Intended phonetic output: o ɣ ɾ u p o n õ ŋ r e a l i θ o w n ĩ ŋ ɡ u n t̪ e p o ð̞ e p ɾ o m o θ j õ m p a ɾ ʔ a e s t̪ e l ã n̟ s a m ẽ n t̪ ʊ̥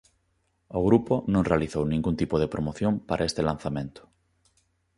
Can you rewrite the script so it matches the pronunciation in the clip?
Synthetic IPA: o ɣ ɾ u p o n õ ŋ r e a l i θ o w n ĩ ŋ ɡ u n t̪ i p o ð̞ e p ɾ o m o θ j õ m p a ɾ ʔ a e s t̪ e l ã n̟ θ a m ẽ n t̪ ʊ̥